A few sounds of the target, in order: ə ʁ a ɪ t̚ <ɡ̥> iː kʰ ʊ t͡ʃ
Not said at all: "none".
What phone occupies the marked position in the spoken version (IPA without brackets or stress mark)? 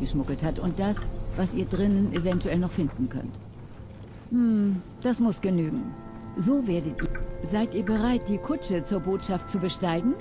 d̥